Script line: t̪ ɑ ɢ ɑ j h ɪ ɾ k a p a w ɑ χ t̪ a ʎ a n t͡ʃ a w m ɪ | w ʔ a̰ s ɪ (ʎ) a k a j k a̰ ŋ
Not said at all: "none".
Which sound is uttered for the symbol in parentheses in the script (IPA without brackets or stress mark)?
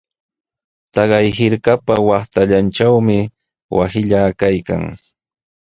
ʎ